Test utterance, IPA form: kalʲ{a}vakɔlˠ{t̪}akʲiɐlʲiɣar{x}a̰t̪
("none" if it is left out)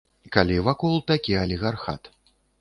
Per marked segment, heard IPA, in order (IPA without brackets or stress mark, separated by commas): i, t̪, x